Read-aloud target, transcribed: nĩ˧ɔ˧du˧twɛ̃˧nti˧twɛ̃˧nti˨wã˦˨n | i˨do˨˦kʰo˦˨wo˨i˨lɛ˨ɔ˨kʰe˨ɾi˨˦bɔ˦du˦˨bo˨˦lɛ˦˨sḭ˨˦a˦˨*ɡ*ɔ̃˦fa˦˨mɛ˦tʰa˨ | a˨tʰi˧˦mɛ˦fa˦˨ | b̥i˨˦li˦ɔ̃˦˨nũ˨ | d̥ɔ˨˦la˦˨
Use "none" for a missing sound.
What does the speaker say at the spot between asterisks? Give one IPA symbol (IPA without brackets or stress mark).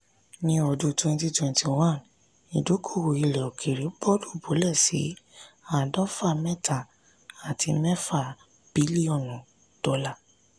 d